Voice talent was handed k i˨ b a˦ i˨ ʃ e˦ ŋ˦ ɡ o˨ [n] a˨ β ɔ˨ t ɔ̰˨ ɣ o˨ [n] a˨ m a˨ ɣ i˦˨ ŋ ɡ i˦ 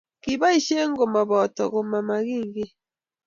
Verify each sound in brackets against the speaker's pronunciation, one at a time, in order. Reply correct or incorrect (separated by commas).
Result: incorrect, incorrect